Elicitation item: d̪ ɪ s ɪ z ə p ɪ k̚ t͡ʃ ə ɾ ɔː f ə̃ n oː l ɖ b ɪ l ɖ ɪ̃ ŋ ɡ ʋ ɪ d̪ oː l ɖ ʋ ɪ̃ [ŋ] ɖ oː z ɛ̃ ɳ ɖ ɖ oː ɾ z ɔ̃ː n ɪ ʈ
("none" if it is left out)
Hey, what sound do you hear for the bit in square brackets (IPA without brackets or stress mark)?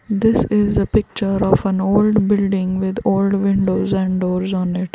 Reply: ɳ